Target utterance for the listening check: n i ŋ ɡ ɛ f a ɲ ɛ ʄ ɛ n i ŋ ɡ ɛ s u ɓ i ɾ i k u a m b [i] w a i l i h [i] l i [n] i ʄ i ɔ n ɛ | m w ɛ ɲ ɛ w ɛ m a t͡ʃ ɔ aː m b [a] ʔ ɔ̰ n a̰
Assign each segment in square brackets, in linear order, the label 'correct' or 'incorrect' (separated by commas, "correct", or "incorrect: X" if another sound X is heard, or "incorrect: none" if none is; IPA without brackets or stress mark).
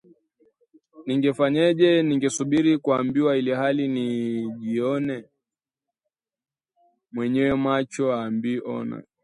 correct, incorrect: a, correct, incorrect: i